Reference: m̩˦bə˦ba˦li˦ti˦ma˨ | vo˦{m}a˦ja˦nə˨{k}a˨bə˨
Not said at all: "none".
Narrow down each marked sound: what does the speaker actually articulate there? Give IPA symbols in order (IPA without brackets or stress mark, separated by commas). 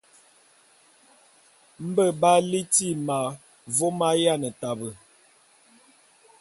m, t